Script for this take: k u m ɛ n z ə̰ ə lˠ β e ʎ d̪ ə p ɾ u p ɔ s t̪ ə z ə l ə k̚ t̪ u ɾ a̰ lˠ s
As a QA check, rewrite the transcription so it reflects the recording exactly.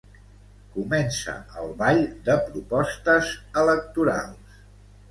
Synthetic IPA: k u m ɛ n s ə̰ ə lˠ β a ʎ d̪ ə p ɾ u p ɔ s t̪ ə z ə l ə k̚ t̪ u ɾ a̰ lˠ s